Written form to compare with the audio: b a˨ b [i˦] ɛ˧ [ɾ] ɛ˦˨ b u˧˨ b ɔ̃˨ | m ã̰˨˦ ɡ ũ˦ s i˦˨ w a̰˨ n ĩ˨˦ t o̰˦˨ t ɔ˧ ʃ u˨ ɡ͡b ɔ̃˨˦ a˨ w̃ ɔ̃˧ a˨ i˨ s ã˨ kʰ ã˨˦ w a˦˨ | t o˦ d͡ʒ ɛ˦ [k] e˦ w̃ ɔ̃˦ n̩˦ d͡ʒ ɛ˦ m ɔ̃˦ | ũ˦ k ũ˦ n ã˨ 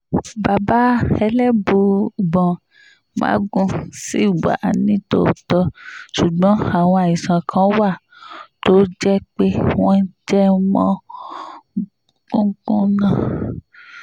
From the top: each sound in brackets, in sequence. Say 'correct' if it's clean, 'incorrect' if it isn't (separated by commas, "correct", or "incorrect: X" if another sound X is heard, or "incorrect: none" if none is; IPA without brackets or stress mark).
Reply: incorrect: a˦, incorrect: l, incorrect: k͡p